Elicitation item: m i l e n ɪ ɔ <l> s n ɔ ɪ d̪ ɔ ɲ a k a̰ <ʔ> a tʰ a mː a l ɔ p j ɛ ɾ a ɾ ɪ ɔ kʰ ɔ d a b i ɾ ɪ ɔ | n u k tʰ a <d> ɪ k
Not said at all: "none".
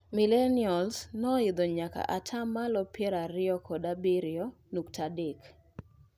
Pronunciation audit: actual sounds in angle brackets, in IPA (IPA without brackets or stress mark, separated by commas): l, ʔ, d